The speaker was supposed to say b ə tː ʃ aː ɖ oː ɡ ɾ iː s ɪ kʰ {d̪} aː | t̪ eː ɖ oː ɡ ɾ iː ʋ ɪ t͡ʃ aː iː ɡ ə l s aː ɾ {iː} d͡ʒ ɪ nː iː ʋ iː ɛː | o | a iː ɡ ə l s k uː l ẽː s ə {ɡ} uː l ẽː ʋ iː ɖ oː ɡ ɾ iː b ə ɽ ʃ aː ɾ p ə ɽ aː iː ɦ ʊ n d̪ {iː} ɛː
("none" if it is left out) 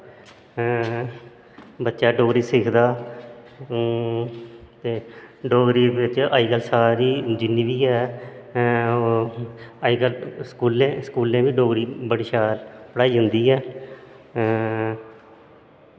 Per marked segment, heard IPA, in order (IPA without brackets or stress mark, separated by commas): d̪, iː, k, iː